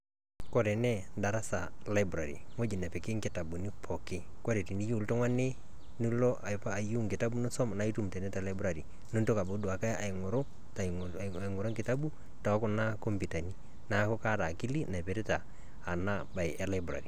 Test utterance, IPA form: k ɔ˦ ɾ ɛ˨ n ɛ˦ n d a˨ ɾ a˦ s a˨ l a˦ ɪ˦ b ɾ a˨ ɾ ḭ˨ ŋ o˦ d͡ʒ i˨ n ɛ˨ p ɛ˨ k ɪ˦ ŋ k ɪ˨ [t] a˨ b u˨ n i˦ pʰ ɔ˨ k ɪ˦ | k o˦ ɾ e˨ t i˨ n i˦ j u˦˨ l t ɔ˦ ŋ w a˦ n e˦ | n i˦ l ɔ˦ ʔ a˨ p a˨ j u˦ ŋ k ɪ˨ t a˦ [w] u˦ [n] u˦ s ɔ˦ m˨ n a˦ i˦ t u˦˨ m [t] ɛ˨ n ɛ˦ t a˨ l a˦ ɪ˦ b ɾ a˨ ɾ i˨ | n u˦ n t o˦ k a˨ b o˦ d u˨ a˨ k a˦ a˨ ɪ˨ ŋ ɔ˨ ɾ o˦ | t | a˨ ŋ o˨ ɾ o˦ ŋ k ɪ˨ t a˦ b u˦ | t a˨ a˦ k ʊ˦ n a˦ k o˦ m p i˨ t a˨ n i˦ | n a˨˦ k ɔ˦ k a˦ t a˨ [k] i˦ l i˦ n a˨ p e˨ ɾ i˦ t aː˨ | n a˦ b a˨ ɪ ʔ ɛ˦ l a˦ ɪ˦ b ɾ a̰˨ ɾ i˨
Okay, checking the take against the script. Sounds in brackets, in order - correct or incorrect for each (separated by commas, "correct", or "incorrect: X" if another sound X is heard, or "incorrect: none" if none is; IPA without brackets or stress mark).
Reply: correct, incorrect: b, correct, correct, correct